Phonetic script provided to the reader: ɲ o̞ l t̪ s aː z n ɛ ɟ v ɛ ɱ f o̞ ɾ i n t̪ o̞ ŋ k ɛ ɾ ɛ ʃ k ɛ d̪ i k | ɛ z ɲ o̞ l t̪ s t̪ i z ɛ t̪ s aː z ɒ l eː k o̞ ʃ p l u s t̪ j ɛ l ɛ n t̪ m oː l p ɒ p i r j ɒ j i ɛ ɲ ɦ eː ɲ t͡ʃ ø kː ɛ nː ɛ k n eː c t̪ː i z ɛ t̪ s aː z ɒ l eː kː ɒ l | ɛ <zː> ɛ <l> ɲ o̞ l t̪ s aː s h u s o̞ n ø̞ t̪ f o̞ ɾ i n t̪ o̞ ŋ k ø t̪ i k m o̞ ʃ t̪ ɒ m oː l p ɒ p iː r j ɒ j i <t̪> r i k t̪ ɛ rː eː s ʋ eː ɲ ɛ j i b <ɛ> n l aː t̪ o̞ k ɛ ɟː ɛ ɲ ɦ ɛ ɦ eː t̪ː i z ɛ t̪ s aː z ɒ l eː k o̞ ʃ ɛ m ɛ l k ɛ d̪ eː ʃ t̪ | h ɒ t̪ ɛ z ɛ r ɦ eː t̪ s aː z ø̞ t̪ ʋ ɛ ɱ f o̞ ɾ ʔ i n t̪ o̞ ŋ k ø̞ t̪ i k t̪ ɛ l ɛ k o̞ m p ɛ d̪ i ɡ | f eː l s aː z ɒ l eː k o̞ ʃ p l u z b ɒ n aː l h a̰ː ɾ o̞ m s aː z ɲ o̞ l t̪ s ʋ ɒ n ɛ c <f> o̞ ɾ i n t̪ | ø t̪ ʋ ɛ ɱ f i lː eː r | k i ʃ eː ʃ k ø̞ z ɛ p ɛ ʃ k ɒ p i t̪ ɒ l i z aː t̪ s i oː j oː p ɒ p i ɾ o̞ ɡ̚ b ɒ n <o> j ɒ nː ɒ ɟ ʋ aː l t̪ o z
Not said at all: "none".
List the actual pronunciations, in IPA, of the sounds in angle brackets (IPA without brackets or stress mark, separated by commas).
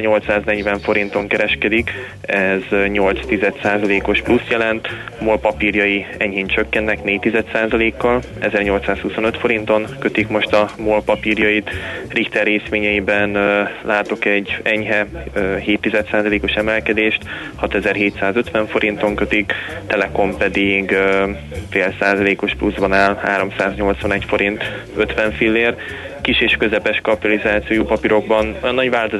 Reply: z, r, t̪, ɛ, f, o